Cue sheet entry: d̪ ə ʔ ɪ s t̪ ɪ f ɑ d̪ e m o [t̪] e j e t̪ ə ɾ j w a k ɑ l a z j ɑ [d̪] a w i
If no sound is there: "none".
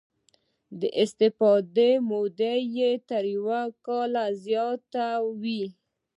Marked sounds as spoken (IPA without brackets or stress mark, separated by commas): d̪, t̪